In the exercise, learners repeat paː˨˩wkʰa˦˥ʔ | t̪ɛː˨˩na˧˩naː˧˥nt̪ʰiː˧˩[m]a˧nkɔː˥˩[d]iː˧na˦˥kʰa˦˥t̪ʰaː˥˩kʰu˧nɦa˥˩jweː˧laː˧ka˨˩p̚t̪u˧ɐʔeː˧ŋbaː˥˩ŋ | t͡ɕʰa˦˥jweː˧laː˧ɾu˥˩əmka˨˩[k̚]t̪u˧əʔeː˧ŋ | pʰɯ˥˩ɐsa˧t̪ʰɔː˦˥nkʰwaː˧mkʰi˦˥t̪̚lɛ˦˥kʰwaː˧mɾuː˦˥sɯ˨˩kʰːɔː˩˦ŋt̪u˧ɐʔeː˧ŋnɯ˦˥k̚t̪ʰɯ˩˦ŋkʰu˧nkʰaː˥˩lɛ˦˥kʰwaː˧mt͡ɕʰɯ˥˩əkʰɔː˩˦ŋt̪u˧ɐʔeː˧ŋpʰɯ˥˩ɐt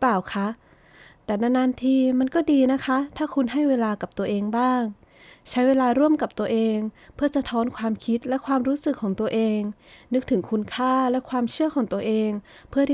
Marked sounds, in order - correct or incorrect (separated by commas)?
correct, correct, incorrect